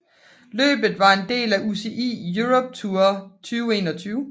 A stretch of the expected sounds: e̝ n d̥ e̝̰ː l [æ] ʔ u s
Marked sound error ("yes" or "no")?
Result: no